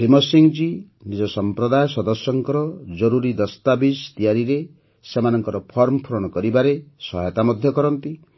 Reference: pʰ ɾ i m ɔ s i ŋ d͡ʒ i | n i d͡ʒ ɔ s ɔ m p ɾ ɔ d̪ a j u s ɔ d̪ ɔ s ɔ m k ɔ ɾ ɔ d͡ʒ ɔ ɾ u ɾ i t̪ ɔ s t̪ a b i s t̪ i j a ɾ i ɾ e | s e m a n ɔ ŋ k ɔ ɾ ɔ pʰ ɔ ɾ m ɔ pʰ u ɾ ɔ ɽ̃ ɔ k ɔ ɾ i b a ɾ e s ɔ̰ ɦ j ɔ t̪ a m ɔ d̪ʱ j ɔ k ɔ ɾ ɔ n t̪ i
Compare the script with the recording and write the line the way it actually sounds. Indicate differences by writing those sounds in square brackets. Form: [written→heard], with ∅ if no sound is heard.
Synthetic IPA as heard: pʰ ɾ i m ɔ s i ŋ d͡ʒ i | n i d͡ʒ ɔ s ɔ m p ɾ ɔ d̪ a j [u→ɔ] s ɔ d̪ ɔ s ɔ [m→ŋ] k ɔ ɾ ɔ d͡ʒ ɔ ɾ u ɾ i [t̪→d̪] ɔ s t̪ a b i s t̪ i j a ɾ i ɾ e | s e m a n ɔ ŋ k ɔ ɾ ɔ pʰ ɔ ɾ m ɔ pʰ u ɾ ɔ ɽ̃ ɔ k ɔ ɾ i b a ɾ e s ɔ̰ ɦ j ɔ t̪ a m ɔ d̪ʱ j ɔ k ɔ ɾ ɔ n t̪ i